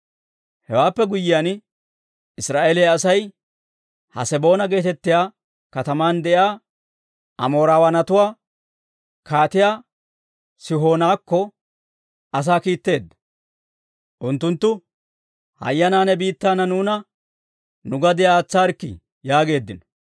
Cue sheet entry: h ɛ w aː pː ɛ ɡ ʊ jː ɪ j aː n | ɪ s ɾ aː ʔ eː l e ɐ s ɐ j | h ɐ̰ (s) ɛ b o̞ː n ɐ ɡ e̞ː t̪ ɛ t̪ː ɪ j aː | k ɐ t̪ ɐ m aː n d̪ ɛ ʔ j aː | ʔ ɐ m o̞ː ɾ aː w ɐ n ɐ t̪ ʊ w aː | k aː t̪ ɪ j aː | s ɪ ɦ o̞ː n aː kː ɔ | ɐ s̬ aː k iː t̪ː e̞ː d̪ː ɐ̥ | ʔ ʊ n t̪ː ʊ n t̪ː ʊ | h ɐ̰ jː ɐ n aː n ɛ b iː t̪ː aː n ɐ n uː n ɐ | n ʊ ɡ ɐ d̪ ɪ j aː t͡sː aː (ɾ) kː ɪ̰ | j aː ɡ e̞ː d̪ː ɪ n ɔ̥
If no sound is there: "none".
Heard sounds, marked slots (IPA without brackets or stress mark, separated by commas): s, ɾ